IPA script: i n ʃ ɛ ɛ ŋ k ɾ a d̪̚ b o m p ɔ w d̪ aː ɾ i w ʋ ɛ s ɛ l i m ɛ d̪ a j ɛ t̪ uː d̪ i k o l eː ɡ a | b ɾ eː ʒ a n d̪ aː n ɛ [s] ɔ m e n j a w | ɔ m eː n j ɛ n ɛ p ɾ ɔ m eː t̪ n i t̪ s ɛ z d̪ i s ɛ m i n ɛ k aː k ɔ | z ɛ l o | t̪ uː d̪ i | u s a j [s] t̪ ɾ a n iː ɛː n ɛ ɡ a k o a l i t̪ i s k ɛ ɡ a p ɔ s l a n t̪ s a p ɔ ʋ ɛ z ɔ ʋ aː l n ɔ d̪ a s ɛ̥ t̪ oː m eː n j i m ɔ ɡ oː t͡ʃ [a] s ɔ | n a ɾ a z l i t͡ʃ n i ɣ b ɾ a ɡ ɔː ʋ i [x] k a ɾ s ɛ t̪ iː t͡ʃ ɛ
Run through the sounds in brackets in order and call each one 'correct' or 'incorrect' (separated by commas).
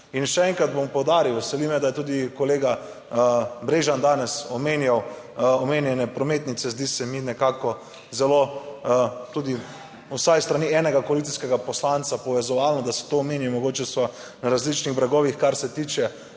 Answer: correct, correct, incorrect, correct